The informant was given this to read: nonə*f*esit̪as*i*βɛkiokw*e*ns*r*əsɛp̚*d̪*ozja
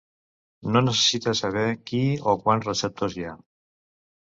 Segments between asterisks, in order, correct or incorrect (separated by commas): incorrect, incorrect, incorrect, correct, incorrect